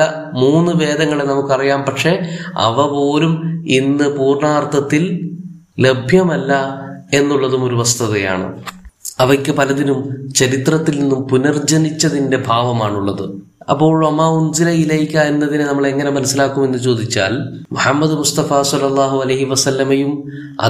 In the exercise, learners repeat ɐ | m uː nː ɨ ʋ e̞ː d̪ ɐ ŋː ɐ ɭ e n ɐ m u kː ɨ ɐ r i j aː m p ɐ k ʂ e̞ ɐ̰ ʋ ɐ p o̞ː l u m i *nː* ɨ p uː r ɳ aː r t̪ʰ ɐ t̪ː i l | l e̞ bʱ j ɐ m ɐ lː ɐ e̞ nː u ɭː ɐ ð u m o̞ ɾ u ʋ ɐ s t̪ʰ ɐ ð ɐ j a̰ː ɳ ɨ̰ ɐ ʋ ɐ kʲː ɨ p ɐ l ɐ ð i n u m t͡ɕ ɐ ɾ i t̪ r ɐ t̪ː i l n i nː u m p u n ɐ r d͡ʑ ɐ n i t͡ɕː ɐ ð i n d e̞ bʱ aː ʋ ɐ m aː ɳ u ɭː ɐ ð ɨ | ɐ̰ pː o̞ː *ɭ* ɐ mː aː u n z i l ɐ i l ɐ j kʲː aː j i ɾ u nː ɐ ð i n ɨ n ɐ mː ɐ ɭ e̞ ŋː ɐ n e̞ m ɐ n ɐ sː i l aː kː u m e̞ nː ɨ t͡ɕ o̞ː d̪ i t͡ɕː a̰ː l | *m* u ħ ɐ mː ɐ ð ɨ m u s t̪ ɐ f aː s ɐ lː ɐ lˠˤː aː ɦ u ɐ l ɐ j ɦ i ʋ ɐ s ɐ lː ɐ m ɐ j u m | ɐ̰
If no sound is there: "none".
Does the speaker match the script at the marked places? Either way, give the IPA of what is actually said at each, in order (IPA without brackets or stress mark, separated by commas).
nː, ɭ, m